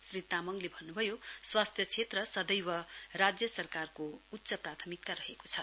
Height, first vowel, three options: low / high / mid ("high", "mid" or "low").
high